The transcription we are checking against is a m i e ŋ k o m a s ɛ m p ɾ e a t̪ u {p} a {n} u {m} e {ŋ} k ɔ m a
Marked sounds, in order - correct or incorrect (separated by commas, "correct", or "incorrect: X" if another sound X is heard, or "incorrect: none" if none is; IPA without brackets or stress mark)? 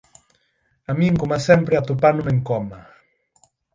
correct, correct, correct, correct